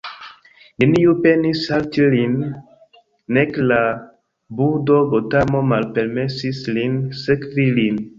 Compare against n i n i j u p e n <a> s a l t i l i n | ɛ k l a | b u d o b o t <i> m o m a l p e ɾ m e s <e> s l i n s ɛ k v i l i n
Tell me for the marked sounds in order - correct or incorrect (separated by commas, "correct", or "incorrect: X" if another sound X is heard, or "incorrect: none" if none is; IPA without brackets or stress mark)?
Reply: incorrect: i, incorrect: a, incorrect: i